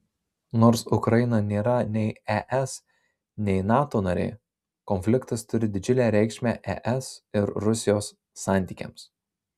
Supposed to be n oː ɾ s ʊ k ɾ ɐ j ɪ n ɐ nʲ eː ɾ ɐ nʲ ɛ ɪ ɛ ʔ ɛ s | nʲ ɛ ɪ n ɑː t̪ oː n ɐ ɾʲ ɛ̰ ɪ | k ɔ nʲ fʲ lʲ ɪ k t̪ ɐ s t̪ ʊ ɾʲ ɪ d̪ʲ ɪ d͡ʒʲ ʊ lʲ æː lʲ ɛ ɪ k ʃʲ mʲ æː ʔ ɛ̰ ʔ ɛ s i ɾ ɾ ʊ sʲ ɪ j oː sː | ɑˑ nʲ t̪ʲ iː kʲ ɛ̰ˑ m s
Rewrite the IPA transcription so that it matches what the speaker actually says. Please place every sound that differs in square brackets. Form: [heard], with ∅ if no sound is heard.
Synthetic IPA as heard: n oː ɾ s ʊ k ɾ ɐ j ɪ n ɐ nʲ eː ɾ ɐ nʲ ɛ ɪ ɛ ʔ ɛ s | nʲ ɛ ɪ n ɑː t̪ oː n ɐ ɾʲ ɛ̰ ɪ | k ɔ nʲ fʲ lʲ ɪ k t̪ ɐ s t̪ ʊ ɾʲ ɪ d̪ʲ ɪ d͡ʒʲ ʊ lʲ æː [ɾʲ] ɛ ɪ k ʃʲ mʲ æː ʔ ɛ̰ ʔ ɛ s [ɪ] ɾ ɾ ʊ sʲ ɪ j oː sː | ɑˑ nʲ t̪ʲ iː kʲ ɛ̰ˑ m s